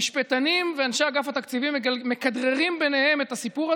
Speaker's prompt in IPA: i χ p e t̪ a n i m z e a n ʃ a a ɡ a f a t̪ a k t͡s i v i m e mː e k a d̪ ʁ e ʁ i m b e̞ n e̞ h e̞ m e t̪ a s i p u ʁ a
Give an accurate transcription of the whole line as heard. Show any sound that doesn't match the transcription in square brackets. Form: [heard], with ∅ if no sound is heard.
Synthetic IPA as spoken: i [ʃ] p e t̪ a n i m [v] e a n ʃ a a ɡ a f a t̪ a k t͡s i v i m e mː e k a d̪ ʁ e ʁ i m b e̞ n e̞ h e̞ m e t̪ a s i p u ʁ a